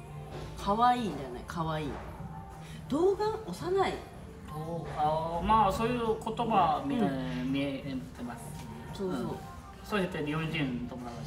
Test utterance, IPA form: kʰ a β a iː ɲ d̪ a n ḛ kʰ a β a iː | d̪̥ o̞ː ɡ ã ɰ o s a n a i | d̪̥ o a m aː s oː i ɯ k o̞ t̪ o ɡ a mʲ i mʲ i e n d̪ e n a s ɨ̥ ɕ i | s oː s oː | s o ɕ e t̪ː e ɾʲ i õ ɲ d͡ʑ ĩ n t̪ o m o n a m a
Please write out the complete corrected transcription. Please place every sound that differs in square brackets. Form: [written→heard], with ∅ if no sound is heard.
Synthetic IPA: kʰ a β a iː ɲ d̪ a n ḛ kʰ a β a iː | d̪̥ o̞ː ɡ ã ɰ o s a n a i | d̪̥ o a m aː s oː [i→j] ɯ k o̞ t̪ o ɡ a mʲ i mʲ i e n [d̪→t̪] e [n→m] a s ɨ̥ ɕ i | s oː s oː | s o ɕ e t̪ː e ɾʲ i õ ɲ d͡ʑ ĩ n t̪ o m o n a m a